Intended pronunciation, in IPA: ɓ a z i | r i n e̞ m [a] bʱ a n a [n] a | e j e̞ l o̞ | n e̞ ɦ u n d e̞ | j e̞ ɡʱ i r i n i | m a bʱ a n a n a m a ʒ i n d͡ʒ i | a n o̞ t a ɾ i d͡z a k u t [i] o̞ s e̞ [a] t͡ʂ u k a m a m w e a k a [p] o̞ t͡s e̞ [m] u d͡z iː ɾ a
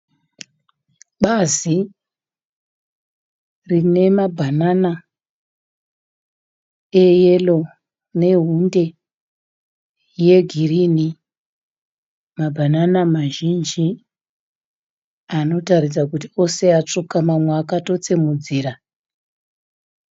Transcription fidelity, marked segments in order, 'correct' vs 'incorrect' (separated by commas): correct, correct, correct, correct, incorrect, correct